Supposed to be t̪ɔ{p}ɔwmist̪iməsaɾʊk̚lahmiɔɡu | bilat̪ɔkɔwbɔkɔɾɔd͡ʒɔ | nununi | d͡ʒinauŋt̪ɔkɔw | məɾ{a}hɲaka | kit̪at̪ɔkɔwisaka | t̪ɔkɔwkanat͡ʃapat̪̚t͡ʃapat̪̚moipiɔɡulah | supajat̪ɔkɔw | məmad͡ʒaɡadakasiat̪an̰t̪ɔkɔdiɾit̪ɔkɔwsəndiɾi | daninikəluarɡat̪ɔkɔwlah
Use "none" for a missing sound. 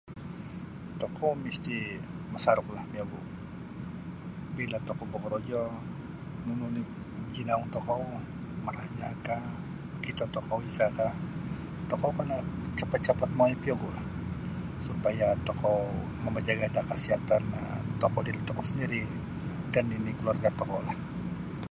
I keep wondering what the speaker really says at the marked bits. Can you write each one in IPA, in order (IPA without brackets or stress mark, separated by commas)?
k, a